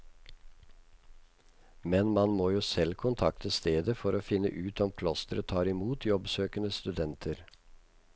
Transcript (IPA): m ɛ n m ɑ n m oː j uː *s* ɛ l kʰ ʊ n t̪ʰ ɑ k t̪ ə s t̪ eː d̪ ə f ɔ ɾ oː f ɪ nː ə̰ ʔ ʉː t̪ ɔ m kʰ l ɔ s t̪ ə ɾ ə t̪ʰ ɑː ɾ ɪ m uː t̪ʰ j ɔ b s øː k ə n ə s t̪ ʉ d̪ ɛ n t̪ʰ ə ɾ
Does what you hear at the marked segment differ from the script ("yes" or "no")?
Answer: no